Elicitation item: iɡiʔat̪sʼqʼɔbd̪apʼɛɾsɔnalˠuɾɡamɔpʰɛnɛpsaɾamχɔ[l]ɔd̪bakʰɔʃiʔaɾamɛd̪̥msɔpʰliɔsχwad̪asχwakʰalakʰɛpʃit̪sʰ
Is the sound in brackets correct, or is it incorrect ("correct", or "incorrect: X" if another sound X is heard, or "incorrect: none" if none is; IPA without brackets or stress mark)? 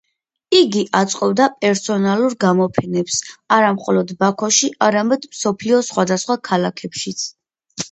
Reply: correct